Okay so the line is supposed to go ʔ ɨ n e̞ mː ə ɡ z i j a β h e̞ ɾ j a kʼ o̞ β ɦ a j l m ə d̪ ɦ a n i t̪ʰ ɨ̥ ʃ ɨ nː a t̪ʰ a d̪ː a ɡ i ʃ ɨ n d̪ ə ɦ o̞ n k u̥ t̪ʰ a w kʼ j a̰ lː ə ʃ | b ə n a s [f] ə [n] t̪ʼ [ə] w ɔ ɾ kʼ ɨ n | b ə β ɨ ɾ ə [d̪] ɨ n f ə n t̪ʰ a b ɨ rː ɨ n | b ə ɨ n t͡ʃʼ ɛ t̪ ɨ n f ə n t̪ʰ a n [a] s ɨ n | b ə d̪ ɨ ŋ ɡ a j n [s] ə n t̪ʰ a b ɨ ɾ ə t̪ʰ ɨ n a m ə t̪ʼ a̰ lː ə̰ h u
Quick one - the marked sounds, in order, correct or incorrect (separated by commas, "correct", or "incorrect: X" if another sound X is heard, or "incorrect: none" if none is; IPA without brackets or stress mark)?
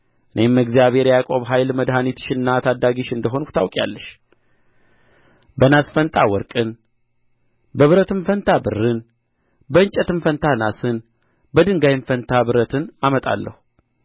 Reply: correct, correct, incorrect: a, incorrect: t̪, correct, incorrect: f